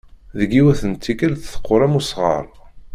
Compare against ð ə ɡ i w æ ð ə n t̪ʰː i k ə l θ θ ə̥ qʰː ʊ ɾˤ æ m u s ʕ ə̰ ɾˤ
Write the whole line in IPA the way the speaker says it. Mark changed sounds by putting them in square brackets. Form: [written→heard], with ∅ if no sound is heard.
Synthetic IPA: ð ə ɡ i w æ [ð→θ] ə n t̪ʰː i k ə l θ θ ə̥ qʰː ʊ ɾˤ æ m u s [ʕ→ʁ] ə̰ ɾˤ